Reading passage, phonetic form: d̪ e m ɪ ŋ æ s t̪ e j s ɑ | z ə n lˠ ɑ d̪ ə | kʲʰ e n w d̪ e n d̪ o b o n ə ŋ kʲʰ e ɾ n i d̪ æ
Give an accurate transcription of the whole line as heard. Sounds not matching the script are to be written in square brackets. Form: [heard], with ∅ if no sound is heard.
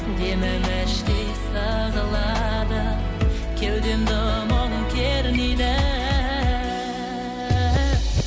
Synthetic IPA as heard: d̪ e m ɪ [m] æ [ʃ] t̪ e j s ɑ | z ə [∅] lˠ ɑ d̪ ə | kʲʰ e [∅] w d̪ e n d̪ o [m] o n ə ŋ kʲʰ e ɾ n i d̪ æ

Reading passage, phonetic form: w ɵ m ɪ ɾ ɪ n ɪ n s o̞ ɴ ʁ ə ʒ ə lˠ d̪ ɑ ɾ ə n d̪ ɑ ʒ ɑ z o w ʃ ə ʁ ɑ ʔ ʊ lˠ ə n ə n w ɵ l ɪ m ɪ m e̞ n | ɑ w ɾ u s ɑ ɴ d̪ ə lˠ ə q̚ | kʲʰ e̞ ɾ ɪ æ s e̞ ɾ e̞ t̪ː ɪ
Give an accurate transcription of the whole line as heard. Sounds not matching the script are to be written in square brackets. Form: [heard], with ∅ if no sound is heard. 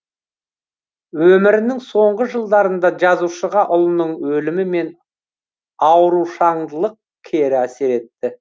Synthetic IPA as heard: w ɵ m ɪ ɾ ɪ n ɪ [ŋ] s o̞ ɴ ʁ ə ʒ ə lˠ d̪ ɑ ɾ ə n d̪ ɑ ʒ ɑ z [u] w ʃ ə ʁ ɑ ʔ ʊ lˠ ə n ə [ɴ] w ɵ l ɪ m ɪ m e̞ n | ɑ w ɾ u [ʃ] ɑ ɴ d̪ ə lˠ ə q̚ | kʲʰ e̞ ɾ ɪ æ s e̞ ɾ e̞ t̪ː ɪ

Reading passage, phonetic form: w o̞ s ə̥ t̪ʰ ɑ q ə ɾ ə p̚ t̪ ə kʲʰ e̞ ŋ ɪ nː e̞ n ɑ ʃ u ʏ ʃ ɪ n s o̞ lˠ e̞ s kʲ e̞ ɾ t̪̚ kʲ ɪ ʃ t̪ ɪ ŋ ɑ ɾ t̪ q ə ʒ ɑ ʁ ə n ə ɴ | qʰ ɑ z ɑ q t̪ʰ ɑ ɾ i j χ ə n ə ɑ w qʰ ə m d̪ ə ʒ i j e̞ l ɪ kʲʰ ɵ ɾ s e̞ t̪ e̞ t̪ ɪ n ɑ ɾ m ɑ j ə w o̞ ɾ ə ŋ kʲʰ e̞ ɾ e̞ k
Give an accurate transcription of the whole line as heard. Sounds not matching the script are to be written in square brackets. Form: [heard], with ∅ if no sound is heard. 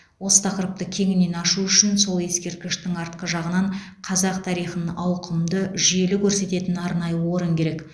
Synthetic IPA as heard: w o̞ s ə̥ t̪ʰ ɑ q ə ɾ ə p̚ t̪ ə kʲʰ e̞ ŋ ɪ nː e̞ n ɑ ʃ u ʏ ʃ ɪ n s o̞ lˠ e̞ s kʲ e̞ ɾ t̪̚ kʲ ɪ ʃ t̪ ɪ ŋ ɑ ɾ t̪ q ə ʒ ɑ ʁ ə n [ɑ] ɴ | qʰ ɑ z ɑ q t̪ʰ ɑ ɾ i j χ ə n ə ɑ w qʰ ə m d̪ ə ʒ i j e̞ l ɪ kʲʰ ɵ ɾ s e̞ t̪ e̞ t̪ ɪ n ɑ ɾ [n] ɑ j ə w o̞ ɾ ə ŋ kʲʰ e̞ ɾ e̞ k

